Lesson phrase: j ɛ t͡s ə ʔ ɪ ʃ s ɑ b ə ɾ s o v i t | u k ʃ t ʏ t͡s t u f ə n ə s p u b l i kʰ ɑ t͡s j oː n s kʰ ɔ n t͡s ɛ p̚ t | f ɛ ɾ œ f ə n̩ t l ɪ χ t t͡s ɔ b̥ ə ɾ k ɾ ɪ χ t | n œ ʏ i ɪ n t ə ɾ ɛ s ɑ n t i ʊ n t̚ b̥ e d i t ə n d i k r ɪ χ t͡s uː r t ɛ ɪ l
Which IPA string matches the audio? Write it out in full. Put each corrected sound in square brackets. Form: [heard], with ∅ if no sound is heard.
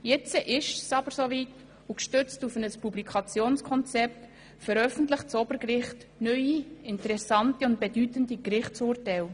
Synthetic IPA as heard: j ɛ t͡s ə ʔ ɪ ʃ s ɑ b ə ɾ s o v i t | u k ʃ t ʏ t͡s t u f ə n ə s p u b l i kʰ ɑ t͡s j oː n s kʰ ɔ n t͡s ɛ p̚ t | f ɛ ɾ œ f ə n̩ t l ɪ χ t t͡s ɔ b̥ ə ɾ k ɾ ɪ χ t | n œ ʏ i ɪ n t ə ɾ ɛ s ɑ n t i ʊ n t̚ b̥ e d [y] t ə n d i k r ɪ χ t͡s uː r t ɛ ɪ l